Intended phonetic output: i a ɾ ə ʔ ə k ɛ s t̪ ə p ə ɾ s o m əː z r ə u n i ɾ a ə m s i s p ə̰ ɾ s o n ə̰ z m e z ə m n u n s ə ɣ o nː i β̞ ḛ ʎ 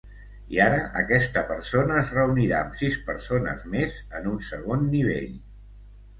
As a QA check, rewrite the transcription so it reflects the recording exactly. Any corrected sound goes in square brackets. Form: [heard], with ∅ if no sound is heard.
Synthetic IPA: i a ɾ ə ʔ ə k ɛ s t̪ ə p ə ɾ s o [n] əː z r ə u n i ɾ a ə m s i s p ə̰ ɾ s o n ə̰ z m e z ə [∅] n u n s ə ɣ o nː i β̞ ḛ ʎ